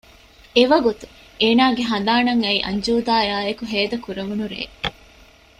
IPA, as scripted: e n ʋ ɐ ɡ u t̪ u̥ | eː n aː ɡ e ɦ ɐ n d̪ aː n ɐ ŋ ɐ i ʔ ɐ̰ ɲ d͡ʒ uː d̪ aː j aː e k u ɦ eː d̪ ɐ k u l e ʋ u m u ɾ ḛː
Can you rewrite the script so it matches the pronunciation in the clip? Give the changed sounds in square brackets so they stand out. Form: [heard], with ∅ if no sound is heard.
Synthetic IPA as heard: e [∅] ʋ ɐ ɡ u t̪ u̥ | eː n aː ɡ e ɦ ɐ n d̪ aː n ɐ ŋ ɐ i ʔ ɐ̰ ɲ d͡ʒ uː d̪ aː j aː e k u ɦ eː d̪ ɐ k u [ɾ] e ʋ u [n] u ɾ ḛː